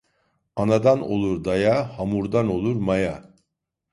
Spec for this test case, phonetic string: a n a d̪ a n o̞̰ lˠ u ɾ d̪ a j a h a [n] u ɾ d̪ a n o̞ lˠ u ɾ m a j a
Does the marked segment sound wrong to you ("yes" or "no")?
yes